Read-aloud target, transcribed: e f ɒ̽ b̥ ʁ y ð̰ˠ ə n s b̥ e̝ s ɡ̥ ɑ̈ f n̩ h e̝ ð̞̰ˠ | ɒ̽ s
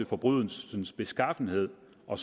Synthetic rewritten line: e f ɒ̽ b̥ ʁ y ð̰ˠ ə n s b̥ e̝ s ɡ̥ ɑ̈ f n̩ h e̝ ð̞̰ˠ | ɒ̽ s